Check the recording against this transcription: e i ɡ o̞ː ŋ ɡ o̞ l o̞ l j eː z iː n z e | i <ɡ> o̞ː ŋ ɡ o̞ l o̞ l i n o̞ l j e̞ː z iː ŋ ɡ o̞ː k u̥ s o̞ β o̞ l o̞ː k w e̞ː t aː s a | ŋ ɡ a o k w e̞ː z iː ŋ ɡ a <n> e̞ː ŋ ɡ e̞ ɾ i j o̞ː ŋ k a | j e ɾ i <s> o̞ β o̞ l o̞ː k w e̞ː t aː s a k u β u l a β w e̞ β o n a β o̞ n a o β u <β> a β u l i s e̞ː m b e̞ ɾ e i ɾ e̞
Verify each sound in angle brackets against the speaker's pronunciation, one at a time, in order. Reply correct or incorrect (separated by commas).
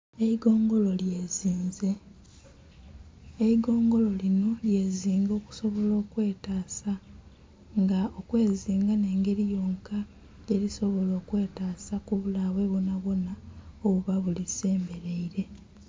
correct, correct, correct, correct